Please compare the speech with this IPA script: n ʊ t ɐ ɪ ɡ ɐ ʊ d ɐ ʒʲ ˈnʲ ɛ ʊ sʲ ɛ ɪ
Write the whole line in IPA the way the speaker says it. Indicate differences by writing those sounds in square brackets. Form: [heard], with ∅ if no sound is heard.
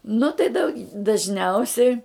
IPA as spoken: n ʊ t ɐ ɪ [d] ɐ ʊ d ɐ ʒʲ ˈnʲ ɛ ʊ sʲ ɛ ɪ